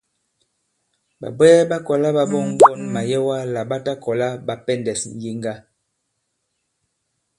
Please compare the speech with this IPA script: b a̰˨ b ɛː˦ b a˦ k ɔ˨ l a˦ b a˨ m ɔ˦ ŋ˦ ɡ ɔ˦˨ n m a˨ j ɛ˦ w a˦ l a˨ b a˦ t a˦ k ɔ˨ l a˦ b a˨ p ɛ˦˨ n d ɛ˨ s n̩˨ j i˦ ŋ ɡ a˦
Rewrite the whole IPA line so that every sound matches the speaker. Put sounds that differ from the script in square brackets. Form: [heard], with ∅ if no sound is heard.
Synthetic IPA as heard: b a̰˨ b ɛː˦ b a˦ k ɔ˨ l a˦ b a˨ [b] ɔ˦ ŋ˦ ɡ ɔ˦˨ n m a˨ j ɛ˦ w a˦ l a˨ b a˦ t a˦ k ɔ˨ l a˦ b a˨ p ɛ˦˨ n d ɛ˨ s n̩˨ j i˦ ŋ ɡ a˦